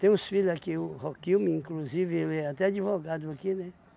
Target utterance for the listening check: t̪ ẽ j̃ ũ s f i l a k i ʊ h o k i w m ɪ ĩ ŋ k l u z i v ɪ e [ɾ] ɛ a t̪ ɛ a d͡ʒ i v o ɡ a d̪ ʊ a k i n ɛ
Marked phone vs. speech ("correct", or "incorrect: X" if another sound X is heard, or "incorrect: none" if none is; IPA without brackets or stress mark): incorrect: l